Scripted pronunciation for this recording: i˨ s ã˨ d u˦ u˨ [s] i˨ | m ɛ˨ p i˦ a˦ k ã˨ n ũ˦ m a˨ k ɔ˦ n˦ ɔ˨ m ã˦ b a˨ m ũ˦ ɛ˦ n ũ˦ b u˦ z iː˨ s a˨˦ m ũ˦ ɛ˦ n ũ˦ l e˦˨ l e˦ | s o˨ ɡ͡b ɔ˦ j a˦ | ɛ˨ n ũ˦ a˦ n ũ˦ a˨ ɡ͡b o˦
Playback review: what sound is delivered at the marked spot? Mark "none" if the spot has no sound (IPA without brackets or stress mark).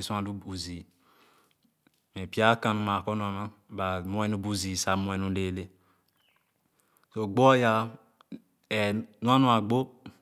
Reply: z